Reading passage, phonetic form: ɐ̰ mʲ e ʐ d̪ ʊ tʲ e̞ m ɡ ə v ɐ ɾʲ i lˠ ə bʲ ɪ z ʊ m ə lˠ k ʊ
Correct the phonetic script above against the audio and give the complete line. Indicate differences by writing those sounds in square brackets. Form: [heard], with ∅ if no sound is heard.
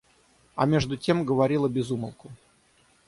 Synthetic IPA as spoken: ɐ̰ mʲ e ʐ d̪ ʊ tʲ e̞ m ɡ ə v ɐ ɾʲ i lˠ ə bʲ ɪ z [u] m ə lˠ k ʊ